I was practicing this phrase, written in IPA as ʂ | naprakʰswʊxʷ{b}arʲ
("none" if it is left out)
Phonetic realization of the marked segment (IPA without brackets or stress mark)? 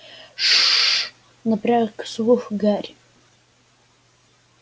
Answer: ɡ